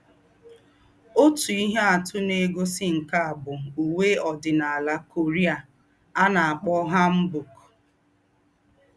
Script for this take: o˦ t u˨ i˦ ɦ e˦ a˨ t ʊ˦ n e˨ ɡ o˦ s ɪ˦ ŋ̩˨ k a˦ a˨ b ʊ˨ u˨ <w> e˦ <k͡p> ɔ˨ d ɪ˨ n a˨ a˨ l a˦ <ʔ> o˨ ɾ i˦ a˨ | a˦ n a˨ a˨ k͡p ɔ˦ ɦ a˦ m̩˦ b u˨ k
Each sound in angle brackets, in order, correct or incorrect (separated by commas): correct, incorrect, incorrect